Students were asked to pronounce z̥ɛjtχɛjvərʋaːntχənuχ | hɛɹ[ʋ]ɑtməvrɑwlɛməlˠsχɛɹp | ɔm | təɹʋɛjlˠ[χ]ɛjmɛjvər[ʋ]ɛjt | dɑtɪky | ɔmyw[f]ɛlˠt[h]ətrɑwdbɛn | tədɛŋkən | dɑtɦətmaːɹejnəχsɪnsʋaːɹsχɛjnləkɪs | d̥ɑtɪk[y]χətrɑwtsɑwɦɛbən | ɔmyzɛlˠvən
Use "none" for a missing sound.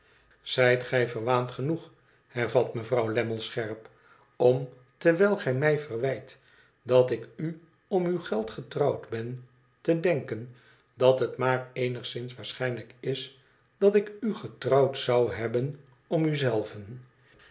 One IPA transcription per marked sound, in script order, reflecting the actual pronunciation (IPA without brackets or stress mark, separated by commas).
v, χ, ʋ, χ, χ, y